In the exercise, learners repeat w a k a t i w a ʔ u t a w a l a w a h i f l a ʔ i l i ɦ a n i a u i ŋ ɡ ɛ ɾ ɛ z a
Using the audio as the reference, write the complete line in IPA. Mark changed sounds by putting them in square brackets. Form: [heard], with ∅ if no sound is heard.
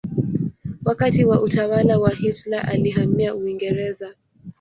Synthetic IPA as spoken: w a k a t i w a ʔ u t a w a l a w a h i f l a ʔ [a] l i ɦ a [m] i a u i ŋ ɡ ɛ ɾ ɛ z a